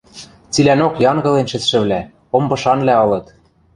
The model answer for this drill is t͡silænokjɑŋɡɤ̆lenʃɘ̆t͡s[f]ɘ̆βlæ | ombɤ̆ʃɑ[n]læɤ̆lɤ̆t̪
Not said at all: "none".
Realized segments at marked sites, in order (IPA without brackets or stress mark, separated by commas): ʃ, n